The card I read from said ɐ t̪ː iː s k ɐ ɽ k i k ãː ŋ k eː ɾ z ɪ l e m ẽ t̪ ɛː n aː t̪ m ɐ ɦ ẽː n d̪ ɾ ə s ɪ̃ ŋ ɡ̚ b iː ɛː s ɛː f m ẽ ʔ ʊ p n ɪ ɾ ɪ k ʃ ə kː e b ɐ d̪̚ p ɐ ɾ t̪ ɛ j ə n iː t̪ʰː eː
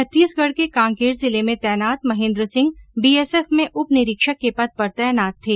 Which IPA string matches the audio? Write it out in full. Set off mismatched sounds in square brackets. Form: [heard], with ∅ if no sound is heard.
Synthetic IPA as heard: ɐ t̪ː iː s [ɡ] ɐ ɽ k [e] k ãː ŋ k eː ɾ z ɪ l e m ẽ t̪ ɛː n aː t̪ m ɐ ɦ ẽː n d̪ ɾ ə s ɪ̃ ŋ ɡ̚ b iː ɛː s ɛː f m ẽ ʔ ʊ p n ɪ ɾ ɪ k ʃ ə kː e [p] ɐ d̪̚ p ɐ ɾ t̪ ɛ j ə n [aː] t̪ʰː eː